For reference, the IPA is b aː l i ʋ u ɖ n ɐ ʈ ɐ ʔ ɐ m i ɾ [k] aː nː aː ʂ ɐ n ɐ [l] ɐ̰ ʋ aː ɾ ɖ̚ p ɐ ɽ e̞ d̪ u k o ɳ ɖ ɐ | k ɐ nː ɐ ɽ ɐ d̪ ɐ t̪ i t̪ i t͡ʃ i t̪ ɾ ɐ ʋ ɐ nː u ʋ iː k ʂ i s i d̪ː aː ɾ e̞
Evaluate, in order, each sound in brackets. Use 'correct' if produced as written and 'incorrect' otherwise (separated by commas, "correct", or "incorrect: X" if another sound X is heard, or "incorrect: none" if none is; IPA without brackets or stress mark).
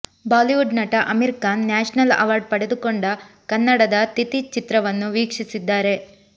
correct, correct